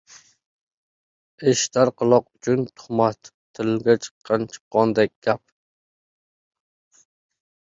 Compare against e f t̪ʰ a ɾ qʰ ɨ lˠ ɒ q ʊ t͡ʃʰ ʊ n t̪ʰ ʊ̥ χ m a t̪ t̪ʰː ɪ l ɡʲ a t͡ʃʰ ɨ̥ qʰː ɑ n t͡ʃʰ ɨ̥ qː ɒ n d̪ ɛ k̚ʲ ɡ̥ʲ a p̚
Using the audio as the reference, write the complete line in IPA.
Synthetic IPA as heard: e ʃ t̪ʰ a ɾ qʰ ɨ lˠ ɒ q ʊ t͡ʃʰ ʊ n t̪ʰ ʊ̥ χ m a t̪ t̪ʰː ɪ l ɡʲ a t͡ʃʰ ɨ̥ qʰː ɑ n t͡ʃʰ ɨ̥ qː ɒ n d̪ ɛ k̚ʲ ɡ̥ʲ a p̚